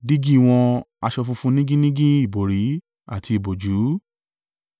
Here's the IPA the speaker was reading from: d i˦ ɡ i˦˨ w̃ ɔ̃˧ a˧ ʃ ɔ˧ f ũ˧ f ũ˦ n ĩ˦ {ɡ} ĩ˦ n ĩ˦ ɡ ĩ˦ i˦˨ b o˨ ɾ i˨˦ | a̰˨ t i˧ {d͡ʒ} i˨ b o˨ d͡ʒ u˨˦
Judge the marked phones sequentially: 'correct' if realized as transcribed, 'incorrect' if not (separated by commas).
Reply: correct, incorrect